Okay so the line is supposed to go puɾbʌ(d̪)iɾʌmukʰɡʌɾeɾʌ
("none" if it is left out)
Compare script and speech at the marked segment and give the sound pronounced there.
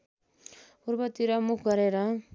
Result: t̪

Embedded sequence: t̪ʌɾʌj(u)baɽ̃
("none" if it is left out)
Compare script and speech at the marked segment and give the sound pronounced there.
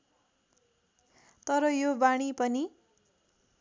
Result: o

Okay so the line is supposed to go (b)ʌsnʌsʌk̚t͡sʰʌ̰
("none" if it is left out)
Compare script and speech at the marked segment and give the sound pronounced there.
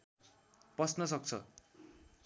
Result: p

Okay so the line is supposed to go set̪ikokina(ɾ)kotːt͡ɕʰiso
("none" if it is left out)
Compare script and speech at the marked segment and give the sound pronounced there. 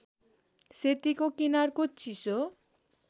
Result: ɾ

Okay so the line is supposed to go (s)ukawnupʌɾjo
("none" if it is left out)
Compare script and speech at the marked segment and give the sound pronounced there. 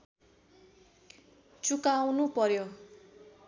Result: t͡s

